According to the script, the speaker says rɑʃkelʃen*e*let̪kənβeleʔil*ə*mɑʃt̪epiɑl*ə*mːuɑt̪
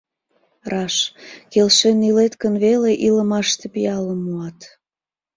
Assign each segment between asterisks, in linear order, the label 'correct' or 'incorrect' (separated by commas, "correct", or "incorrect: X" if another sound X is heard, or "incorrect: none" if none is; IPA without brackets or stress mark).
incorrect: i, correct, correct